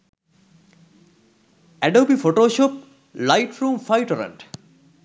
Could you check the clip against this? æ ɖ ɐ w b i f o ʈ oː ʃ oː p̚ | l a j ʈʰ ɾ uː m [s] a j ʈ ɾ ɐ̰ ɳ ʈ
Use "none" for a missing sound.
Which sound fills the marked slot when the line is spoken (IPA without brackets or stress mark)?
f